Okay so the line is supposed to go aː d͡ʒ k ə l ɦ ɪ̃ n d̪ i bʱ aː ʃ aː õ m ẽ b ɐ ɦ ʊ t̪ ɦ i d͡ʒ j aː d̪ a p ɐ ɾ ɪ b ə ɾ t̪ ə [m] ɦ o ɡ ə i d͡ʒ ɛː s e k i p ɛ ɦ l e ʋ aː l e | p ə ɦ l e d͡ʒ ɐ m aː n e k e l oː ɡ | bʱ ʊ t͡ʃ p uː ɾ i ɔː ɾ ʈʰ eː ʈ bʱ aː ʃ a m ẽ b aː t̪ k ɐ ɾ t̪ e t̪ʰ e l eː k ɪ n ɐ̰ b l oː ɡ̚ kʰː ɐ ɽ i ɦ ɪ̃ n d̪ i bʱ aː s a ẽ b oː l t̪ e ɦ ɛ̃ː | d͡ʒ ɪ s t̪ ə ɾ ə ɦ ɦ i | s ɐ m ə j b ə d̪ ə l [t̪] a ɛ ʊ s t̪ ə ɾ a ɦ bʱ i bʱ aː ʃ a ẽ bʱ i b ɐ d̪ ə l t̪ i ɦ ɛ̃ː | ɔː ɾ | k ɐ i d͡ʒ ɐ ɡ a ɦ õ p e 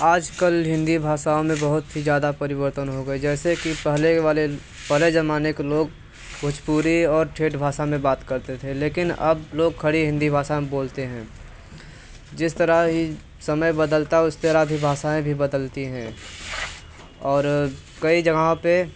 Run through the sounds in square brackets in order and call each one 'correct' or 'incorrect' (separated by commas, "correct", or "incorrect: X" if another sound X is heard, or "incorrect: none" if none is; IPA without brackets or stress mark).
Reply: incorrect: n, correct